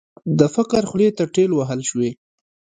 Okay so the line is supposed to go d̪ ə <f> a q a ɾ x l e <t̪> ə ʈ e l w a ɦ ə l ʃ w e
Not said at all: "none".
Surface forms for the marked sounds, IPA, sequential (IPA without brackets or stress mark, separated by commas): f, t̪